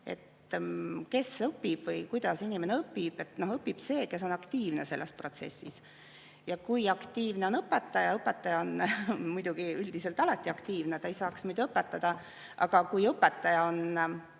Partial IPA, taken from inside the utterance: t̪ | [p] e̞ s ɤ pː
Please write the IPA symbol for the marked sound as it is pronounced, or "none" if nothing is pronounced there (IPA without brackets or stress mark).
k